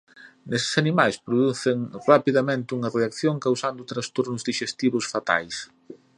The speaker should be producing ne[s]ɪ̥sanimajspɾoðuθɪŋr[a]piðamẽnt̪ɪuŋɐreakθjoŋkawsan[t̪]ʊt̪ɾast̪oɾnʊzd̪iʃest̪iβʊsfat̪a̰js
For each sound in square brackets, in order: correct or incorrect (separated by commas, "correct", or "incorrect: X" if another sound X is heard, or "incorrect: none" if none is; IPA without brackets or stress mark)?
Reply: correct, correct, incorrect: d̪